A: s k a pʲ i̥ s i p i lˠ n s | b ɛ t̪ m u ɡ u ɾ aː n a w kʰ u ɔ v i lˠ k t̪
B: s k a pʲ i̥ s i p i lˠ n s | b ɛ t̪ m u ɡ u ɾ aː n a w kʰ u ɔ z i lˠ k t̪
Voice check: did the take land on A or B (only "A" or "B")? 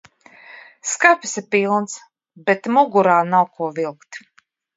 A